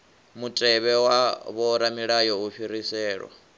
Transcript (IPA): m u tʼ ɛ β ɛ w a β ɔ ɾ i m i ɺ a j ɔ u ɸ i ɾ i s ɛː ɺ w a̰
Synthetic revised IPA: m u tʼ ɛ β ɛ w a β ɔ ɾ a m i ɺ a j ɔ u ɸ i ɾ i s ɛː ɺ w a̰